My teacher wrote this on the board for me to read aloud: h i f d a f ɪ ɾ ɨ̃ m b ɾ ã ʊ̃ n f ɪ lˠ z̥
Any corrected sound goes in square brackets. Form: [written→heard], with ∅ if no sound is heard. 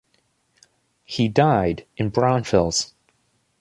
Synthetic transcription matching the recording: h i [f→∅] d a [f→∅] ɪ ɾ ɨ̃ [m→n] b [ɾ→ɹ] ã ʊ̃ n f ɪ lˠ z̥